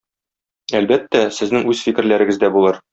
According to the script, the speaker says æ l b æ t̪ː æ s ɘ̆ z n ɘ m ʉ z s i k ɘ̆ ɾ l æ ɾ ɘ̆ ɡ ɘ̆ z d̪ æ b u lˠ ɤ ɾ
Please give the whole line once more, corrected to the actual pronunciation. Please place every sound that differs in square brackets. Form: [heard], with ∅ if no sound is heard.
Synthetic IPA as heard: æ l b æ t̪ː æ s ɘ̆ z n ɘ [ŋ] ʉ z [f] i k ɘ̆ ɾ l æ ɾ ɘ̆ ɡ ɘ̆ z d̪ æ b u lˠ ɤ ɾ